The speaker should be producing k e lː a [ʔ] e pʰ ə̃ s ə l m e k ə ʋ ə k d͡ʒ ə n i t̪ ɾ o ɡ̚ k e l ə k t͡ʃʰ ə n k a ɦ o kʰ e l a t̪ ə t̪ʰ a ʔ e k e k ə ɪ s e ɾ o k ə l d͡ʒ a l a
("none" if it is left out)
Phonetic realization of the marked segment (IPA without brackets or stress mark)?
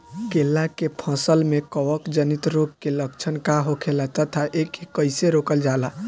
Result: k